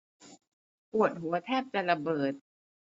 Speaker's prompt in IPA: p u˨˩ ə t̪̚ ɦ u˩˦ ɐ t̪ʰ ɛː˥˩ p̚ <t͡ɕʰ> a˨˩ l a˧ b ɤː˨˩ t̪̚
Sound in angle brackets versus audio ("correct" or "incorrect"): incorrect